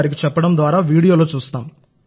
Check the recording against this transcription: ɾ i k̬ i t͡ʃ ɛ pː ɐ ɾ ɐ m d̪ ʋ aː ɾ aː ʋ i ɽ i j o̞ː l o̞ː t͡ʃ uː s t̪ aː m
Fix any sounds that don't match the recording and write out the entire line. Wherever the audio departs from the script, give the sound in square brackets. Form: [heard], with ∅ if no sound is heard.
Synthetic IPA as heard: ɾ i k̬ i t͡ʃ ɛ pː ɐ [ɽ] ɐ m d̪ ʋ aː ɾ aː ʋ [iː] ɽ i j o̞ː l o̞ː t͡ʃ uː s t̪ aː m